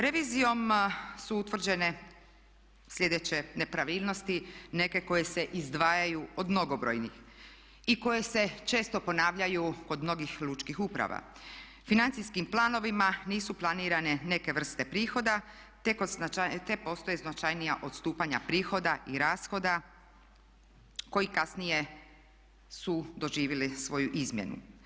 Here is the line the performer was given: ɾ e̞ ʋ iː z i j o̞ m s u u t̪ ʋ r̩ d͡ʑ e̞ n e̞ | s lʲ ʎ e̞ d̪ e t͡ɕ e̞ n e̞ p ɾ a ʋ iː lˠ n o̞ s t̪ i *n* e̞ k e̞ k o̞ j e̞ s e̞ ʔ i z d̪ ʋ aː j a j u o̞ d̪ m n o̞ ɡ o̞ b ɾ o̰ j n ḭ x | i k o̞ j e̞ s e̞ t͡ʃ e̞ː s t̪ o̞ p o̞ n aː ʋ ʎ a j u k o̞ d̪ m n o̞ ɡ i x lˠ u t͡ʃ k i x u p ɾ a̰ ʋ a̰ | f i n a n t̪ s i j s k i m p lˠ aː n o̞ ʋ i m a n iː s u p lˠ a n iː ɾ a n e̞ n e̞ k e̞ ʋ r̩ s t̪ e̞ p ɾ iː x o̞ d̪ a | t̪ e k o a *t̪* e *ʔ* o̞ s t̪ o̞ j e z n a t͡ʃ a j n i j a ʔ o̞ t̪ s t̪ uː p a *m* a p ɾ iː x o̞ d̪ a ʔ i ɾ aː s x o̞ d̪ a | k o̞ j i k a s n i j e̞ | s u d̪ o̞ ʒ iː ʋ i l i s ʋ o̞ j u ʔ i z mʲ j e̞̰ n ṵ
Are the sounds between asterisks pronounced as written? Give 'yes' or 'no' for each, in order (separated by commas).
yes, yes, no, no